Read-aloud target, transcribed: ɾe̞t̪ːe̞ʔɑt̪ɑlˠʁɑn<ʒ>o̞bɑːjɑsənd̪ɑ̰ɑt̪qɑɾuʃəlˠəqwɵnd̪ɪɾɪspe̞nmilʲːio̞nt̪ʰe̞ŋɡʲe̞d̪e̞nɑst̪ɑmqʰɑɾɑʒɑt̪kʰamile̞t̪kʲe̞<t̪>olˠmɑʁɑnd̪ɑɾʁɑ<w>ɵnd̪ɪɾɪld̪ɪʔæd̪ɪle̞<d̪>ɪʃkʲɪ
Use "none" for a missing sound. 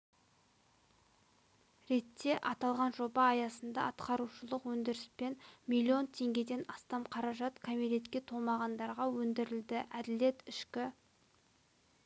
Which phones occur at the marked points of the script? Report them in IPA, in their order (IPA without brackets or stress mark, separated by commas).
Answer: ʒ, t̪ʰ, w, t̪